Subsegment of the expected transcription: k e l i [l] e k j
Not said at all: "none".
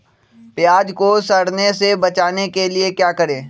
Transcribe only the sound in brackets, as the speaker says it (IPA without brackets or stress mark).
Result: none